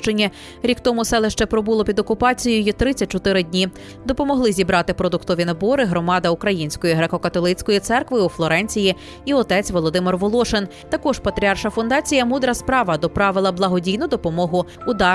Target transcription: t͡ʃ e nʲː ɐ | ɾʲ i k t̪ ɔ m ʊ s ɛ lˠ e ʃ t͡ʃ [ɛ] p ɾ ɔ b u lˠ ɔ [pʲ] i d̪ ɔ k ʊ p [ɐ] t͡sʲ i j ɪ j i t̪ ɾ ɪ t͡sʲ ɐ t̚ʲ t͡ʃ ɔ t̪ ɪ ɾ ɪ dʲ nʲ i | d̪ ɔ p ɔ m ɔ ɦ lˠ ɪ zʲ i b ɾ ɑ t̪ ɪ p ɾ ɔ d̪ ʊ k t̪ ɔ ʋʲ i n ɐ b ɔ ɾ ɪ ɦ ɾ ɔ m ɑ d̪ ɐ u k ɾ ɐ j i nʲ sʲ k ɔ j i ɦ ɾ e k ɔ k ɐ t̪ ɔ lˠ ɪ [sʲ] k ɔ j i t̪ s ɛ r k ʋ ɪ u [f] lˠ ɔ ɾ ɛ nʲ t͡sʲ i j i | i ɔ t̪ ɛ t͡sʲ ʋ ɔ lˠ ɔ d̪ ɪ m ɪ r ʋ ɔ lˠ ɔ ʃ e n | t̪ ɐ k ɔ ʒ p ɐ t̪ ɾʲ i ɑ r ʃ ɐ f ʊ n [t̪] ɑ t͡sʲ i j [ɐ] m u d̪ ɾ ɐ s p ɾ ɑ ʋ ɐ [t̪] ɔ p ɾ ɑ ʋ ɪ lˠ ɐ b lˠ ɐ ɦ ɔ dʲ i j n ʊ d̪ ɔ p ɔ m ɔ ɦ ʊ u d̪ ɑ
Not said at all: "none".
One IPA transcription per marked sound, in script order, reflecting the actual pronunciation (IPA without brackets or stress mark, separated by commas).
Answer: ɛ, pʲ, ɑ, t͡sʲ, f, d̪, ɐ, d̪